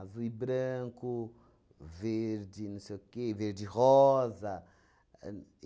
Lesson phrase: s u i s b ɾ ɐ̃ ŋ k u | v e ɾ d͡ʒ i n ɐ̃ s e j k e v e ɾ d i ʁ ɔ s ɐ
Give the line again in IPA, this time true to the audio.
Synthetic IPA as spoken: z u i b ɾ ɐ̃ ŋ k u | v e ɾ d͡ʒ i n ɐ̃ s e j k e v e ɾ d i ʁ ɔ z ɐ